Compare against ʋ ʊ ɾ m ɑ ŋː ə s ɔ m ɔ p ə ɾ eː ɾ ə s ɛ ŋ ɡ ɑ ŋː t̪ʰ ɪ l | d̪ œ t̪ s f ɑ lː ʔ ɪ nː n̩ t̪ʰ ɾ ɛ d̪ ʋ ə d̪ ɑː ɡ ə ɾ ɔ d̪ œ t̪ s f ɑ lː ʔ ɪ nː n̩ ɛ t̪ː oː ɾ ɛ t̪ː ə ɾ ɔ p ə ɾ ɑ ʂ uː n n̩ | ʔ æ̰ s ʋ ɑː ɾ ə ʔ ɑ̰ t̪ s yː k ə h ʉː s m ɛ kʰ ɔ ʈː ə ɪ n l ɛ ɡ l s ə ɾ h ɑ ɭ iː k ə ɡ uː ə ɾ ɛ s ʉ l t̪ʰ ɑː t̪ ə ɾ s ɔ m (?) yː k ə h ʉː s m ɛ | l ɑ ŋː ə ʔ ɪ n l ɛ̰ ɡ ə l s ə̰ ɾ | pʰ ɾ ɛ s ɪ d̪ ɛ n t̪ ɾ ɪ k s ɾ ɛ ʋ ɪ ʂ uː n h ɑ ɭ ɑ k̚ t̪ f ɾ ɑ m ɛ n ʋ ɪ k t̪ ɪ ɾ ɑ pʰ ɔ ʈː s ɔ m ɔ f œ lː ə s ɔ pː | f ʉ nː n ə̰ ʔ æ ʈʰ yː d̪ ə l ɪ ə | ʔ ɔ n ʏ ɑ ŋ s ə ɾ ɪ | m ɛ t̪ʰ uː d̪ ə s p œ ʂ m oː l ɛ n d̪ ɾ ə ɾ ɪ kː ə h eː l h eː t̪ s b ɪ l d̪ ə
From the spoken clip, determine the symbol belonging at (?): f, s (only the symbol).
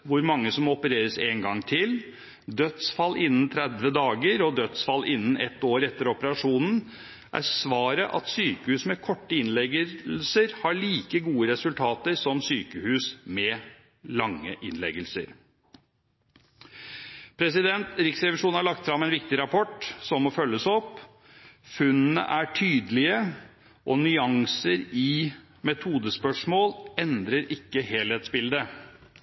s